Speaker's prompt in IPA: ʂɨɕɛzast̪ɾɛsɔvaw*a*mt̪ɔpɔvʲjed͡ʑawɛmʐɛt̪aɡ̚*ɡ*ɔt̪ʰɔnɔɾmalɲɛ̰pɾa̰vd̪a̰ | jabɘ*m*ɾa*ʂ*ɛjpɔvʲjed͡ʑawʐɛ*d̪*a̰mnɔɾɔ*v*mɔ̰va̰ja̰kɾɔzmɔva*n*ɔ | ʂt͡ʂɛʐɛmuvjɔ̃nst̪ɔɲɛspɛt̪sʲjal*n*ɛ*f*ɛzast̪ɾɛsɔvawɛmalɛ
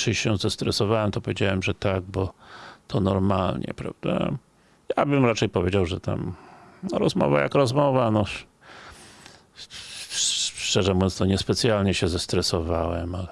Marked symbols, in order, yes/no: no, no, yes, no, no, no, yes, no, no

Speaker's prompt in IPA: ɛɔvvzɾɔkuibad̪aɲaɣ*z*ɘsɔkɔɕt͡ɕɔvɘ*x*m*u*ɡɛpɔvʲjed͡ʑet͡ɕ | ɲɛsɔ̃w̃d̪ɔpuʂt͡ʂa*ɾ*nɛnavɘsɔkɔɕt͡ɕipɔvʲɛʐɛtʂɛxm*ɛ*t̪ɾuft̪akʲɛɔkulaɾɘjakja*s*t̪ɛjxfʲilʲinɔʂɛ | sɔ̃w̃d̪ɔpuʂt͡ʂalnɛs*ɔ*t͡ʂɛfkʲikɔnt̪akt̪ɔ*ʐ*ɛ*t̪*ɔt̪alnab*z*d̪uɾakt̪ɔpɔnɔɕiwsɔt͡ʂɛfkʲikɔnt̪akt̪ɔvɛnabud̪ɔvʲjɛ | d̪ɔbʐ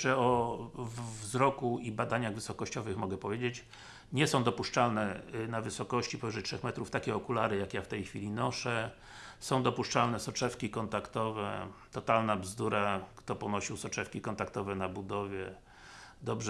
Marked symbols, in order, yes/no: no, yes, no, no, yes, no, yes, no, yes, yes

